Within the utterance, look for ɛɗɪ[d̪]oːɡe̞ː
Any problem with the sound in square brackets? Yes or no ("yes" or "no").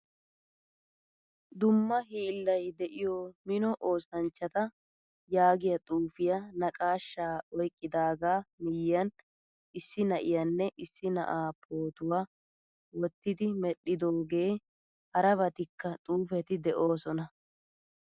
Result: no